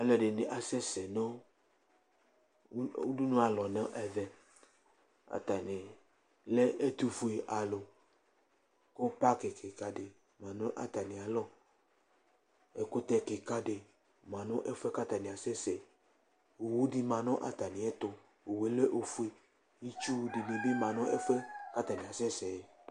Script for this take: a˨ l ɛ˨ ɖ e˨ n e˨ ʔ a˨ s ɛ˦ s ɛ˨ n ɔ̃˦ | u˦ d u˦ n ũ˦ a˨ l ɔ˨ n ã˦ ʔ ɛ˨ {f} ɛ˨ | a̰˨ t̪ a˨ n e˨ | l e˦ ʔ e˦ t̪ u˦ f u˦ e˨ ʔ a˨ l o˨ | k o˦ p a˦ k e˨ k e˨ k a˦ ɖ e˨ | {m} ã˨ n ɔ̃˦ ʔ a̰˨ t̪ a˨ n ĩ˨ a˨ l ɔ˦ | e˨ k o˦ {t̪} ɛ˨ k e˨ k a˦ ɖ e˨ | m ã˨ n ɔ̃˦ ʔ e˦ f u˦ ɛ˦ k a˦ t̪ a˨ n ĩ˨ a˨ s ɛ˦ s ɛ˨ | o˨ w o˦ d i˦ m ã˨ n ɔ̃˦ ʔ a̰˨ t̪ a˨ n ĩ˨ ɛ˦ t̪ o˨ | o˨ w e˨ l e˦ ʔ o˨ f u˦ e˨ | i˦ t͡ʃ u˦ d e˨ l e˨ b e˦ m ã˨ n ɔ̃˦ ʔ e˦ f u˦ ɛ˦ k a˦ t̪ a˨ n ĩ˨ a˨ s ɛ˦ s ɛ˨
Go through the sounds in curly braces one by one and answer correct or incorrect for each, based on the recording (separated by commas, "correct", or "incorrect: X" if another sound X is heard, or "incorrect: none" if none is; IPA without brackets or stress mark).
incorrect: v, correct, correct